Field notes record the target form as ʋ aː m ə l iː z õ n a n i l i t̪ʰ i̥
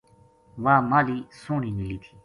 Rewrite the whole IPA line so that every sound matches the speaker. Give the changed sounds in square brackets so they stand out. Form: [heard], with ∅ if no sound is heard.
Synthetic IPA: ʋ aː m [a] l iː [s] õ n [i] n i l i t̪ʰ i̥